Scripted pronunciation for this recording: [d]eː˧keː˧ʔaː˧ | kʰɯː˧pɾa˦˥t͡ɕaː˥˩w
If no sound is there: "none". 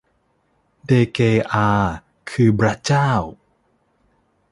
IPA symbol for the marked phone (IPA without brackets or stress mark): d